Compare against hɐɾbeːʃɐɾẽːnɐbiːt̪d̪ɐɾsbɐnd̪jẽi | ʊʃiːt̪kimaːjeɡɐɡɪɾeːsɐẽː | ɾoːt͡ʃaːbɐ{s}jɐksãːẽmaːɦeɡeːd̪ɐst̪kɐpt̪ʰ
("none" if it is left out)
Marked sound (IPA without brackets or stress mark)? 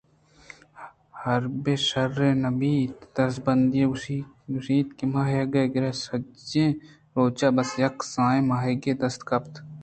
s